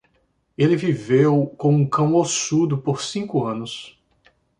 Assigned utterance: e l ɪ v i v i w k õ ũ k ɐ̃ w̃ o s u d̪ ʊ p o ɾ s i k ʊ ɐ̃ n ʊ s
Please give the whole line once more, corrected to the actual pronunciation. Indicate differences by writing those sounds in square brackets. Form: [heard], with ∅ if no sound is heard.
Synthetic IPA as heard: e l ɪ v i v [e] w k õ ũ k ɐ̃ w̃ o s u d̪ ʊ p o ɾ s [ĩ] k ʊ ɐ̃ n ʊ s